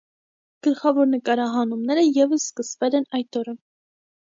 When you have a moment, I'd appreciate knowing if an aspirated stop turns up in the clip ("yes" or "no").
no